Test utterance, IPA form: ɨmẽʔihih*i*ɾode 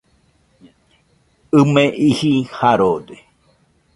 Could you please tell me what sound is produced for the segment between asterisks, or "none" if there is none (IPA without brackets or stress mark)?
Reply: a